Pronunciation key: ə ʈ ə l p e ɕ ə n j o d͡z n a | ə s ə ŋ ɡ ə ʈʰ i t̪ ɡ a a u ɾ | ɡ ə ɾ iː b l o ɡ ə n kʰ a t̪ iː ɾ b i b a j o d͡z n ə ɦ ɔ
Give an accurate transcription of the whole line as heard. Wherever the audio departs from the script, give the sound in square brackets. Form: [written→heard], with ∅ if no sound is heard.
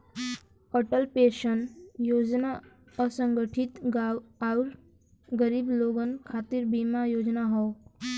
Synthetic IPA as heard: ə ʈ ə l p e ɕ ə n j o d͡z n a | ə s ə ŋ ɡ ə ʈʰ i t̪ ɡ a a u ɾ | ɡ ə ɾ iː b l o ɡ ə n kʰ a t̪ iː ɾ b i [b→m] a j o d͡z n [ə→a] ɦ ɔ